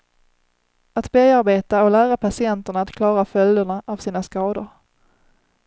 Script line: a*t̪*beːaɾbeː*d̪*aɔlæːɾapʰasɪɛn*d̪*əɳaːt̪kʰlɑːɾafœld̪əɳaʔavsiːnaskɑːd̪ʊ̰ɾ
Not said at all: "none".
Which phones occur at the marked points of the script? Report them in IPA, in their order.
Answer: t̪, t̪, t̪

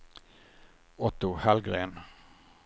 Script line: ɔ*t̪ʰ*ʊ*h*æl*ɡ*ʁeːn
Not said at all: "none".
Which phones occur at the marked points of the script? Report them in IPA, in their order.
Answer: t̪, h, ɡ

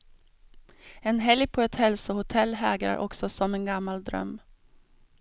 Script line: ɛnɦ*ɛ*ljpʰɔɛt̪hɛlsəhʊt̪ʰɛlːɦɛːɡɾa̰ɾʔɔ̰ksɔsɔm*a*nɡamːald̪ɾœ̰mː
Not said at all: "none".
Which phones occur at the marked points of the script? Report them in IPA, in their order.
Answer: ɛ, ɛ

